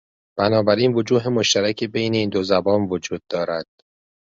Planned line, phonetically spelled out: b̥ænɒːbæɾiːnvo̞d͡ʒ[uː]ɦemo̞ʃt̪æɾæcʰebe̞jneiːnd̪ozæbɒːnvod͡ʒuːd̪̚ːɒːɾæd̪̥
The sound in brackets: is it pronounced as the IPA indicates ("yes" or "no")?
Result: yes